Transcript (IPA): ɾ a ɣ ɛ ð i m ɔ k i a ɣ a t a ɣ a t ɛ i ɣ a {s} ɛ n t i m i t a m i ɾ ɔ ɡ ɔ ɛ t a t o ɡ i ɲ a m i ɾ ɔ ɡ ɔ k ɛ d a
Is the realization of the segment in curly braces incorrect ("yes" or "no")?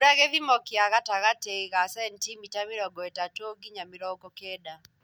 no